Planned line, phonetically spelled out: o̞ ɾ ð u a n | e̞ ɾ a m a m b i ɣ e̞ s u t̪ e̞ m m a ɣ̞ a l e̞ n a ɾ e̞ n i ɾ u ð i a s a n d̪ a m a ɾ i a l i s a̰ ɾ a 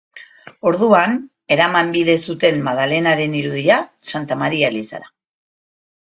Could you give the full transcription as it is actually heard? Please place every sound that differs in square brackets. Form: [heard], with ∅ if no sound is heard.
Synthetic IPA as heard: o̞ ɾ ð u a n | e̞ ɾ a m a m b i [ð] e̞ s u t̪ e̞ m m a [ð̞] a l e̞ n a ɾ e̞ n i ɾ u ð i a s a n [t̪] a m a ɾ i a l i s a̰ ɾ a